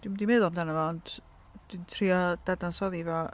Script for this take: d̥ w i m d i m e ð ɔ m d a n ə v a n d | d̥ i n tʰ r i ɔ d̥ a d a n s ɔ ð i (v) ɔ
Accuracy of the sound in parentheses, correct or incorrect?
correct